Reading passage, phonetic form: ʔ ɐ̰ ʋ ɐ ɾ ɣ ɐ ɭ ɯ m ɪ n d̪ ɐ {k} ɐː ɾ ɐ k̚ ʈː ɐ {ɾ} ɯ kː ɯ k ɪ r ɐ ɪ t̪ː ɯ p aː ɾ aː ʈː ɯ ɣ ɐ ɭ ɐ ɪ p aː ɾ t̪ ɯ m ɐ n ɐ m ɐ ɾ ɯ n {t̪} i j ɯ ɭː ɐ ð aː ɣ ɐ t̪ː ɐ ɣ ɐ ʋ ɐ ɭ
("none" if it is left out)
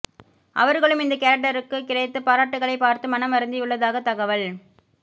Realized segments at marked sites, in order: k, ɾ, d̪

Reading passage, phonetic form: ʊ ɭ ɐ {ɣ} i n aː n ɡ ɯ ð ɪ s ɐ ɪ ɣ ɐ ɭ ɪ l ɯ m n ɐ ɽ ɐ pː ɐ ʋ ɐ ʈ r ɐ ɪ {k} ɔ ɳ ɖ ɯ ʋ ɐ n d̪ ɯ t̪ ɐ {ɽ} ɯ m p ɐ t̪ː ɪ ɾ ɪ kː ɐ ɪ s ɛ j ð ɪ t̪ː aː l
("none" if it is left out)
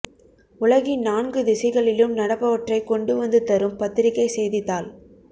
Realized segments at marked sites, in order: ɣ, k, ɾ

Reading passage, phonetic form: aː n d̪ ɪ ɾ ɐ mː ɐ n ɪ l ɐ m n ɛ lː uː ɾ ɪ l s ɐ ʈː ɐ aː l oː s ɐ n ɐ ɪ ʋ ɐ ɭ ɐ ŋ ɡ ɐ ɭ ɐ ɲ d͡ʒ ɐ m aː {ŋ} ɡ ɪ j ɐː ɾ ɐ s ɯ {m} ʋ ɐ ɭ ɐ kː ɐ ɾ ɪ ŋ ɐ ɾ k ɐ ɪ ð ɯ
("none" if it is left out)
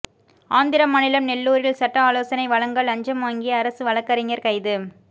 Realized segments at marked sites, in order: ŋ, none

